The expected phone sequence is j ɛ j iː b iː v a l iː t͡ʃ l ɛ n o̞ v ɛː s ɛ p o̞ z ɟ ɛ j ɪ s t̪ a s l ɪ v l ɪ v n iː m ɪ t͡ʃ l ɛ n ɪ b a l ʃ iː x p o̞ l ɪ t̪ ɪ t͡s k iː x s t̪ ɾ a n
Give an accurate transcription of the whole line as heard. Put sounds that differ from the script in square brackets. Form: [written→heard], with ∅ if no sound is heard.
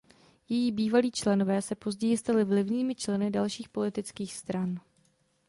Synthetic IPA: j ɛ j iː b iː v a l iː t͡ʃ l ɛ n o̞ v ɛː s ɛ p o̞ z ɟ ɛ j ɪ s t̪ a [s→∅] l ɪ v l ɪ v [n→ɲ] iː m ɪ t͡ʃ l ɛ n ɪ [b→d] a l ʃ iː x p o̞ l ɪ t̪ ɪ t͡s k iː x s t̪ ɾ a n